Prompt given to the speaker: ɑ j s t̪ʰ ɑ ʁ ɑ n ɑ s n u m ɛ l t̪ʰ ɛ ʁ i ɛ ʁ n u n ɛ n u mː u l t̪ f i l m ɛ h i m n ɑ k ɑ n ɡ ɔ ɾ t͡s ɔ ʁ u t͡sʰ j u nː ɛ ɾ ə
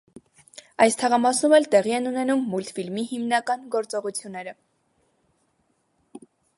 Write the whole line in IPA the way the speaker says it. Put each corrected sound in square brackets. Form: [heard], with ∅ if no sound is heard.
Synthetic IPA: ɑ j s t̪ʰ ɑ ʁ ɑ [m] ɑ s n u m ɛ l [t̪] ɛ ʁ i ɛ [∅] n u n ɛ n u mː u l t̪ f i l m [i] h i m n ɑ k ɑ n ɡ ɔ ɾ t͡s ɔ ʁ u t͡sʰ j u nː ɛ ɾ ə